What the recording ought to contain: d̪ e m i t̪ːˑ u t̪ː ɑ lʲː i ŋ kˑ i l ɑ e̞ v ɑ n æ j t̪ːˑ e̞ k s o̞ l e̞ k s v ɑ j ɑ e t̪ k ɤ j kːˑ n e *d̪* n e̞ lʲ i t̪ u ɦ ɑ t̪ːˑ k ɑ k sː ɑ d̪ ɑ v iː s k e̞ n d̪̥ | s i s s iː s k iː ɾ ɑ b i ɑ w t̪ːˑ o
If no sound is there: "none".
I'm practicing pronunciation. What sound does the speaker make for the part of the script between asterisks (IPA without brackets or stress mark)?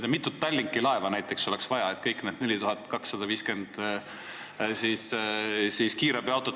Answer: d̪